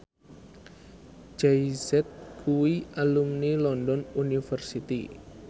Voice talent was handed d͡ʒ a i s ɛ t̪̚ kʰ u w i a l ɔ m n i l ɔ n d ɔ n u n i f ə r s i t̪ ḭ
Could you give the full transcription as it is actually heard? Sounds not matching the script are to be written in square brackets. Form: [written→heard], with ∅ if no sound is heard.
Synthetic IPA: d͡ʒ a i s ɛ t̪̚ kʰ u w i a l [ɔ→u] m n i l ɔ n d ɔ n u n i f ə r s i t̪ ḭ